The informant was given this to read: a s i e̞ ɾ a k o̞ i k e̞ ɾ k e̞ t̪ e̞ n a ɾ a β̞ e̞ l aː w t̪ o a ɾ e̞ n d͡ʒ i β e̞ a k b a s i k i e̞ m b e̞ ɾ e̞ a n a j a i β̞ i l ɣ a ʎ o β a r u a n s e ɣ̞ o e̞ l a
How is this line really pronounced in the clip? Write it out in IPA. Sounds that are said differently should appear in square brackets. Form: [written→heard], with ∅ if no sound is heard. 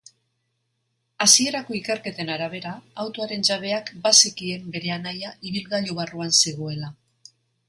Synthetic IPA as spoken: a s i e̞ ɾ a k o̞ i k e̞ ɾ k e̞ t̪ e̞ n a ɾ a β̞ e̞ [l→ɾ] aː w t̪ o a ɾ e̞ n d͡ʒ [i→a] β e̞ a k b a s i k i e̞ m b e̞ ɾ e̞ a n a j a i β̞ i l ɣ a ʎ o β a r u a n s e ɣ̞ o e̞ l a